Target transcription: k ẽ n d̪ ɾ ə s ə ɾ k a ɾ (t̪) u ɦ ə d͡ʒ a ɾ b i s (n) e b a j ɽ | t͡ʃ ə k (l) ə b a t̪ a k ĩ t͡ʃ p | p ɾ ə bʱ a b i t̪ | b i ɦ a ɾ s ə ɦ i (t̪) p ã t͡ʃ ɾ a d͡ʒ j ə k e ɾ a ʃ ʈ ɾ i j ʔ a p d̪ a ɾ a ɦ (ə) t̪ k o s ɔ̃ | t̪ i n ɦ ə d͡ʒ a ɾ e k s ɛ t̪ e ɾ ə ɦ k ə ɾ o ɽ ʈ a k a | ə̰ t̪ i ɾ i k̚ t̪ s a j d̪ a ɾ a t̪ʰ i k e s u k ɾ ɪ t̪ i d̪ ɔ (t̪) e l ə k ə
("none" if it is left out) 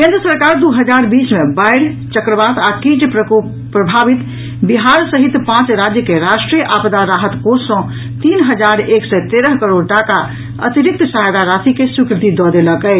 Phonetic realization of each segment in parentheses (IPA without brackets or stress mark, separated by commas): d̪, m, ɾ, t̪, ə, d̪